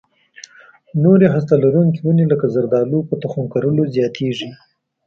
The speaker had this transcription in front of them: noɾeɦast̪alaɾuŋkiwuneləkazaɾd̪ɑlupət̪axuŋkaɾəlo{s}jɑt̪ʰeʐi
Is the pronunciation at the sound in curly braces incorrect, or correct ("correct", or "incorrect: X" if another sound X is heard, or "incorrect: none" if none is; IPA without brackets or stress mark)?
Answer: incorrect: z